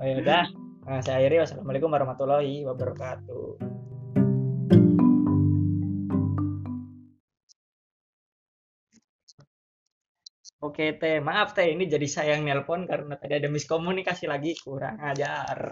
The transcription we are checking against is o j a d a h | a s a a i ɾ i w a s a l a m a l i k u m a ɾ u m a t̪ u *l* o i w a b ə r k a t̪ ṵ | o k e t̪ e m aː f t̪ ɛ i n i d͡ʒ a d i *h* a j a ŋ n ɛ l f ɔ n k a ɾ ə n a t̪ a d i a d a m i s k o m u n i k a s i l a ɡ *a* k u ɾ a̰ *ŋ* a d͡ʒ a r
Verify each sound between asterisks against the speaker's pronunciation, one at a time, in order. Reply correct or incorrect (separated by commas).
correct, incorrect, incorrect, correct